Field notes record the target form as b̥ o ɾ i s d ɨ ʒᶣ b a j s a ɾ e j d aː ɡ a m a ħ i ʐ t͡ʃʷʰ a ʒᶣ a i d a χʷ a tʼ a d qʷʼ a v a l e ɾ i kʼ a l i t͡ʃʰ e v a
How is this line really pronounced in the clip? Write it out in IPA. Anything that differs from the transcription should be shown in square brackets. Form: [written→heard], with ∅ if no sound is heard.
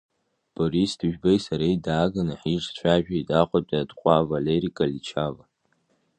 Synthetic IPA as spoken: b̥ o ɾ i s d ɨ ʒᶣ b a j s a ɾ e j d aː ɡ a [m→n] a ħ i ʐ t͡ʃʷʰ a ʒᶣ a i d a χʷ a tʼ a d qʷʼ a v a l e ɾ i kʼ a l i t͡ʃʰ [e→a] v a